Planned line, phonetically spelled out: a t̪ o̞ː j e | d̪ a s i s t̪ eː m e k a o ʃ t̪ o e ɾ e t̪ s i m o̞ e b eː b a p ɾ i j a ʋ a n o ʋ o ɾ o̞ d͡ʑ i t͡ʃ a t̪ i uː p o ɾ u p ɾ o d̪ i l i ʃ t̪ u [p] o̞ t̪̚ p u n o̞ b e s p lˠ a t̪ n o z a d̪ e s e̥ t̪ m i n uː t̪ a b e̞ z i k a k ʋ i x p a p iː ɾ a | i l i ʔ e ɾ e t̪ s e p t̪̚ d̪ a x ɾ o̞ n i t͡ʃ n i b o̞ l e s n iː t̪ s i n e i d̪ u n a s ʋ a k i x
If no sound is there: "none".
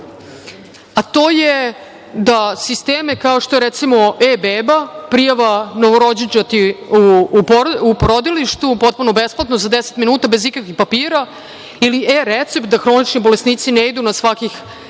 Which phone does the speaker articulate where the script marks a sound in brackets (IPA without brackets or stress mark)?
p